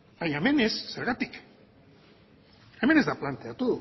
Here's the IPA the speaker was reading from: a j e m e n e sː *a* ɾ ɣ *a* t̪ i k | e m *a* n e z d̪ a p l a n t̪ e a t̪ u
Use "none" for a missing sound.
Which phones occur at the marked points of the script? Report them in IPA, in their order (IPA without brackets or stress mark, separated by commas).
e, a, e